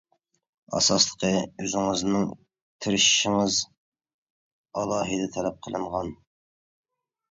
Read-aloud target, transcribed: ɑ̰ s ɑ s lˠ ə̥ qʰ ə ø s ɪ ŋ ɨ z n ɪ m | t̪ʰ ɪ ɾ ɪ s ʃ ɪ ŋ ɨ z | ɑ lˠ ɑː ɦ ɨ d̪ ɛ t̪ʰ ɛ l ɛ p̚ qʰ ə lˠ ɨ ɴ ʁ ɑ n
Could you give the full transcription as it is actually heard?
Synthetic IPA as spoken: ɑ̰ s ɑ s lˠ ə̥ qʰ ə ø z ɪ ŋ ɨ z n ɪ ŋ | t̪ʰ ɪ ɾ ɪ ʃ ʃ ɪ ŋ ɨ z | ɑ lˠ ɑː ɦ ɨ d̪ ɛ t̪ʰ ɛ l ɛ p̚ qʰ ə lˠ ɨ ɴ ʁ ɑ n